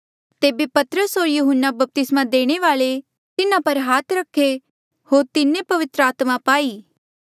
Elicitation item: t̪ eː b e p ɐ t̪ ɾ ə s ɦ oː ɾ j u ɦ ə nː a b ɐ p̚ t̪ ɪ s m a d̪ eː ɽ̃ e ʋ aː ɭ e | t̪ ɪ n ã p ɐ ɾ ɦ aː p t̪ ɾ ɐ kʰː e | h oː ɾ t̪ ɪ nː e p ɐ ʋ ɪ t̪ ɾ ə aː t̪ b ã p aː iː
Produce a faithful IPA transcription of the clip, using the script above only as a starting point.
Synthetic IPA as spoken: t̪ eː b e p ɐ t̪ ɾ ə s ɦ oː ɾ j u ɦ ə nː a b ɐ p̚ t̪ ɪ s m a d̪ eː ɽ̃ e ʋ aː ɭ e | t̪ ɪ n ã p ɐ ɾ ɦ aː t̪ ɾ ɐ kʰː e | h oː ɾ t̪ ɪ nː e p ɐ ʋ ɪ t̪ ɾ ə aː t̪ m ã p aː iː